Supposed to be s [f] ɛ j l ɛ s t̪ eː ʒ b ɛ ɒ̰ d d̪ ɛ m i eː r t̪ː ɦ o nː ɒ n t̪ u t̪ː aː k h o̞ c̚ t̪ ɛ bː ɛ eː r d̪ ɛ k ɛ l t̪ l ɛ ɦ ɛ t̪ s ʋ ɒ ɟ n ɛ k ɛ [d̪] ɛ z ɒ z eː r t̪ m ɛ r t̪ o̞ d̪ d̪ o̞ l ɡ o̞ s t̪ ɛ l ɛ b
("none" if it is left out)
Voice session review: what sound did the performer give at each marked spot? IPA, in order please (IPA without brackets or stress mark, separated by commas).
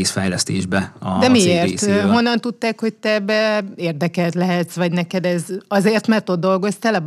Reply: f, d̪